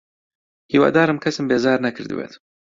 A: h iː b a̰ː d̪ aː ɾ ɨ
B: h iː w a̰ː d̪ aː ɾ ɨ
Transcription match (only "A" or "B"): B